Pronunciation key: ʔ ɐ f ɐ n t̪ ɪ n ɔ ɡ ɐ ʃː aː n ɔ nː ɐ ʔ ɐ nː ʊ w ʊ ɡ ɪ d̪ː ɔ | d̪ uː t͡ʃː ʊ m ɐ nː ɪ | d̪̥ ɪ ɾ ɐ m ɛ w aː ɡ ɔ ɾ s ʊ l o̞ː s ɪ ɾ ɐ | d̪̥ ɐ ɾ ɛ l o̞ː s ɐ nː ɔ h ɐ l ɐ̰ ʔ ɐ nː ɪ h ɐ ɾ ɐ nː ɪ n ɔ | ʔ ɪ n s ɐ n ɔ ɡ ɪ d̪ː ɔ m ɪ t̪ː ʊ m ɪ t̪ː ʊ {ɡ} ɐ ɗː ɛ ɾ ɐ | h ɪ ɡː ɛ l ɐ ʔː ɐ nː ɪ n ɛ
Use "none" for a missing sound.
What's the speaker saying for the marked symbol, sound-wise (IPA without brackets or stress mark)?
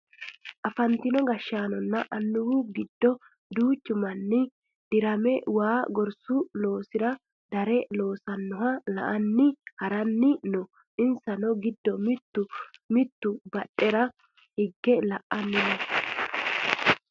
b